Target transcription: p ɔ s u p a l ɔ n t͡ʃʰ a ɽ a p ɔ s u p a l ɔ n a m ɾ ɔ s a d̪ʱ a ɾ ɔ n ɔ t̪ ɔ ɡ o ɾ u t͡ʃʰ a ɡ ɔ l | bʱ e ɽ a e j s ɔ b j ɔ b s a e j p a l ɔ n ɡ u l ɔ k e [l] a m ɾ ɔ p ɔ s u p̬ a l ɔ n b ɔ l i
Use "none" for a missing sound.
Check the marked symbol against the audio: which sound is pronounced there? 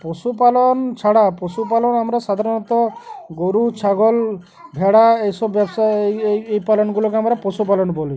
none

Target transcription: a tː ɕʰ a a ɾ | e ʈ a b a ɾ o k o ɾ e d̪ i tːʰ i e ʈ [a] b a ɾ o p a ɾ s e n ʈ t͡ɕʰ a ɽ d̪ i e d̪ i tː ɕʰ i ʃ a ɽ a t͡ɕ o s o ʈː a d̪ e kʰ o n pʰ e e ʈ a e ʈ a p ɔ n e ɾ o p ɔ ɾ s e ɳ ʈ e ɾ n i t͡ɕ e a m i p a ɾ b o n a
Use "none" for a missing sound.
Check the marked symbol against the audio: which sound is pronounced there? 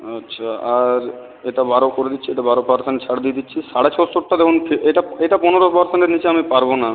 a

